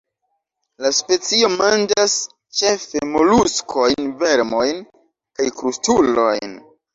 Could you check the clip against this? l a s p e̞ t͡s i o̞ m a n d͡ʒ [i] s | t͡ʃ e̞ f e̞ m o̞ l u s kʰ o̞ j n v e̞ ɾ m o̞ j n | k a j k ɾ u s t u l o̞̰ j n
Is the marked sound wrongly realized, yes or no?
yes